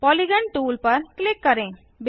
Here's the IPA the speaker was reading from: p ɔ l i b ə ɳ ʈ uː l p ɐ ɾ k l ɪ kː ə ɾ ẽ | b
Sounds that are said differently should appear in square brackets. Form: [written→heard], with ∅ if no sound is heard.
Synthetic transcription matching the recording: p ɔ l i [b→ɡ] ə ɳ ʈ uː l p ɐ ɾ k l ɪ kː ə ɾ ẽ | b